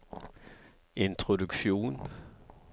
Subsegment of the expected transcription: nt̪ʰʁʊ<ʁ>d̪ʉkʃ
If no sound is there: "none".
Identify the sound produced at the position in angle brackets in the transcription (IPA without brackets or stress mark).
none